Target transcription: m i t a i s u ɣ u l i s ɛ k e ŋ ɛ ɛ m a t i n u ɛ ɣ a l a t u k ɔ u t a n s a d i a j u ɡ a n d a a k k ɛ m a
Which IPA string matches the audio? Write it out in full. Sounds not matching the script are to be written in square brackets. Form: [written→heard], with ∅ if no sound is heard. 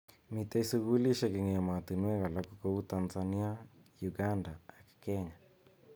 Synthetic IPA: m i t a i s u ɣ u l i [s→ʃ] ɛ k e ŋ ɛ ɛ m a t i n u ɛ ɣ a l a [t→k] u k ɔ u t a n [s→z] a [d→n] i a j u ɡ a n d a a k k ɛ [m→ɲ] a